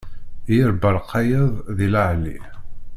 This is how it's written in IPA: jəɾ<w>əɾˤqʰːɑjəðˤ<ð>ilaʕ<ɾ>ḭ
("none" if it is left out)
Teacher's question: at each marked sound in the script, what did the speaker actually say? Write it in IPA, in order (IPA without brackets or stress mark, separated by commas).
b, ð, l